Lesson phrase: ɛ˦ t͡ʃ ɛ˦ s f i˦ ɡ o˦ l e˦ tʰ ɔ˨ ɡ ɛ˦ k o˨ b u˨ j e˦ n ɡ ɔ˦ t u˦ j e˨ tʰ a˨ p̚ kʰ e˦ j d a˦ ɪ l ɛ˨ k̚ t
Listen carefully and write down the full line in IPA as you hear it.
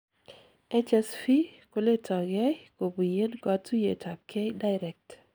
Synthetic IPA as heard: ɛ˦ t͡ʃ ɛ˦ s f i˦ k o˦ l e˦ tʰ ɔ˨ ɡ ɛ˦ k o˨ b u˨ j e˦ n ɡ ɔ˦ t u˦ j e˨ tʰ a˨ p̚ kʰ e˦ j d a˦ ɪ ɾ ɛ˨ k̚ t